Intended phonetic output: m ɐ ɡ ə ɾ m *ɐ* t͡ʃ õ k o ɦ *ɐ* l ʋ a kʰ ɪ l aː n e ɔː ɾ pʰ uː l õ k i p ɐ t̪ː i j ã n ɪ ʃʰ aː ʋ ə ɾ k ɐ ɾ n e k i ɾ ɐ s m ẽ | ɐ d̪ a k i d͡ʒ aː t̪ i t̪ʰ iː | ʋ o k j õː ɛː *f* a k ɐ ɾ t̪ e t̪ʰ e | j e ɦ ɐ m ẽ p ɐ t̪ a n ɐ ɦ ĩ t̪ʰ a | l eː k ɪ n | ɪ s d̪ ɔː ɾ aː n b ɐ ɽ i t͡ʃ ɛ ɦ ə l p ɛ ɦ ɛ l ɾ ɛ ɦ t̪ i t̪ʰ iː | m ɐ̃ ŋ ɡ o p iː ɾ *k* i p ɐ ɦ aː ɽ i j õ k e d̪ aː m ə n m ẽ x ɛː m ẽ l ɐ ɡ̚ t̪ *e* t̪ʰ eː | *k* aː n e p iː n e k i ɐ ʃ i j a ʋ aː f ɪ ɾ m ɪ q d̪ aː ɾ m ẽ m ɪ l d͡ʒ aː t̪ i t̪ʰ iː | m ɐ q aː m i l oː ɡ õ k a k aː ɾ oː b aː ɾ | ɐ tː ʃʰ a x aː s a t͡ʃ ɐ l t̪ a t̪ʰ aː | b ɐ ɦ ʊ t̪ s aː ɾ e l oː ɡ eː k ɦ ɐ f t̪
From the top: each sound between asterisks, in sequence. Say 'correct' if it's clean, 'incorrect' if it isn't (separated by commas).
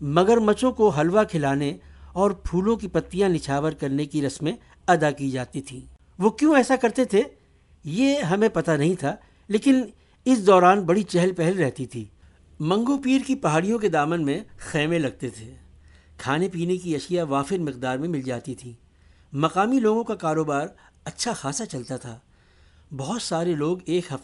correct, correct, incorrect, correct, correct, incorrect